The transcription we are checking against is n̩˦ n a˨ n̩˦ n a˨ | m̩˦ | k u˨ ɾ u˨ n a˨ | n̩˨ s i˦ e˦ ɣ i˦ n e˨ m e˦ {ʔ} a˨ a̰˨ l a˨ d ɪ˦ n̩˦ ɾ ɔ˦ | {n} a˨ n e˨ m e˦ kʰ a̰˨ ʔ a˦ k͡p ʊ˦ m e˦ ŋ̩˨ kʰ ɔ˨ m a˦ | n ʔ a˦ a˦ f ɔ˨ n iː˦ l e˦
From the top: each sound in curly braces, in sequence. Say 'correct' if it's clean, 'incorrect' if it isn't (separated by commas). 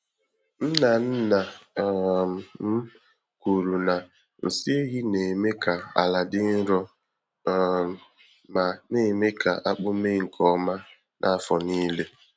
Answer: incorrect, incorrect